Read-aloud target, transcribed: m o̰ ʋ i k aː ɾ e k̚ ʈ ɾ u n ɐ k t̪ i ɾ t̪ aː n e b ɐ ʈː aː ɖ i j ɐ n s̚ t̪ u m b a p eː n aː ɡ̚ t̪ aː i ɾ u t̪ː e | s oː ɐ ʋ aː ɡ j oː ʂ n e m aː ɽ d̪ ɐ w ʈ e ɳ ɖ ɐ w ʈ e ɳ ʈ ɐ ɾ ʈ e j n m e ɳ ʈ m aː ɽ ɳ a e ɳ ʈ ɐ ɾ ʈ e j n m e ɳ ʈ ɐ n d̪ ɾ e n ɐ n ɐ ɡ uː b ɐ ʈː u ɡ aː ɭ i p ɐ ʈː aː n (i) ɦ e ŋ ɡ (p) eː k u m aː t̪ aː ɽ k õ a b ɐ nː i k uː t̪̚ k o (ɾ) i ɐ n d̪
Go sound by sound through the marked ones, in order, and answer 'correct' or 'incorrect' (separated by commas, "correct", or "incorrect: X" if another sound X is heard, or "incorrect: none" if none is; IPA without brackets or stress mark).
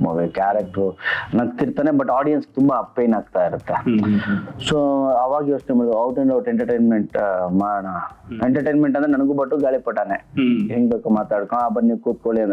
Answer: incorrect: e, incorrect: b, incorrect: ɭ